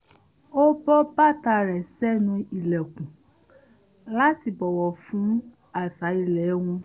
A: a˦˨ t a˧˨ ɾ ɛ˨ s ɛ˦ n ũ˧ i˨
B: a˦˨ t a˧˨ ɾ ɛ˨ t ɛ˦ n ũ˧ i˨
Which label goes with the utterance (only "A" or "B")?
A